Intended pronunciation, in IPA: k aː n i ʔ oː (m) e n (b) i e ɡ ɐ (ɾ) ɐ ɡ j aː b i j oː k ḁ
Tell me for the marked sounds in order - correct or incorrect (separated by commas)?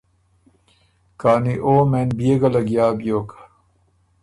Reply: correct, correct, incorrect